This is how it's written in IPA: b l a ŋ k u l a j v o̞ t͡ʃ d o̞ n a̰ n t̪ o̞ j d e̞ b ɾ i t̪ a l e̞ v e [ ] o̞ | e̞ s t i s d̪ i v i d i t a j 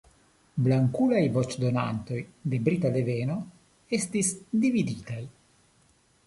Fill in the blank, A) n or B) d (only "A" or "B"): A